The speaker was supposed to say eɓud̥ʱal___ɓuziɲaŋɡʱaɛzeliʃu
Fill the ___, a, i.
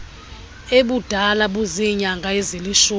a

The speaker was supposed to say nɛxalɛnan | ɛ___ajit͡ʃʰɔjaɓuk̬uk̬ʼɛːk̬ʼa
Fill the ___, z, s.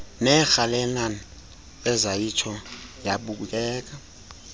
z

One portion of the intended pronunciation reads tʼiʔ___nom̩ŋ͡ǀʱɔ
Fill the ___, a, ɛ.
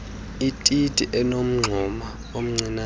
ɛ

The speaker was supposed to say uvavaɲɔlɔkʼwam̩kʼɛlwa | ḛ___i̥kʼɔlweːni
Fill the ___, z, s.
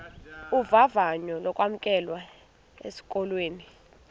s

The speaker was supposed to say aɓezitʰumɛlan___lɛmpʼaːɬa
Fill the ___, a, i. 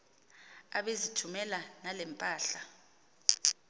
a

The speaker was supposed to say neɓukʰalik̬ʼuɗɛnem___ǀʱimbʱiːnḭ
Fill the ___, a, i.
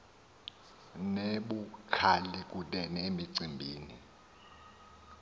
i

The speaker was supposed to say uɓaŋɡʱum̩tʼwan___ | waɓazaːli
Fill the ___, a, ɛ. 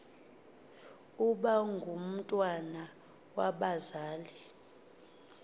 a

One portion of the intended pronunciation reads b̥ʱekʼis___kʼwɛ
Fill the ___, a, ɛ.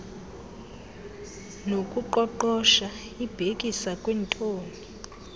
a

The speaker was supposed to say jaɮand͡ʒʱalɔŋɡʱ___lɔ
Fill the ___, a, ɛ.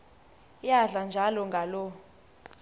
a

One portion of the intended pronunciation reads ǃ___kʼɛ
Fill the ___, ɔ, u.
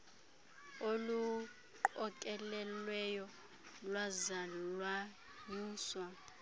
ɔ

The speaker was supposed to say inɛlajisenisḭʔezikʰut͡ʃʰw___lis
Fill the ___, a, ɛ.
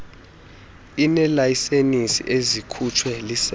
ɛ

